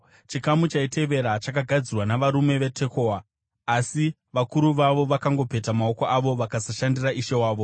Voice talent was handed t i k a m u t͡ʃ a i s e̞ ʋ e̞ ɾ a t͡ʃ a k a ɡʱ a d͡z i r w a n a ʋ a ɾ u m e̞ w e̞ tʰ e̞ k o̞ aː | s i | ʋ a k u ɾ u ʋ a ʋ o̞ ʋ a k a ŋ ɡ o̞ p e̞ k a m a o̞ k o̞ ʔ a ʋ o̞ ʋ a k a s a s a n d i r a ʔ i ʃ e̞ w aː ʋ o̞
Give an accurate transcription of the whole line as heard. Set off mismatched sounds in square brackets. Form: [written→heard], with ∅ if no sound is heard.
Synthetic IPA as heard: [t→t͡ʃ] i k a m u t͡ʃ a i [s→t] e̞ ʋ e̞ ɾ a t͡ʃ a k a ɡʱ a d͡z i r w a n a ʋ a ɾ u m e̞ [w→ʋ] e̞ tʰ e̞ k o̞ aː | s i | ʋ a k u ɾ u ʋ a ʋ o̞ ʋ a k a ŋ ɡ o̞ p e̞ [k→t] a m a o̞ k o̞ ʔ a ʋ o̞ ʋ a k a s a [s→ʃ] a n d i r a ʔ i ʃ e̞ w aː ʋ o̞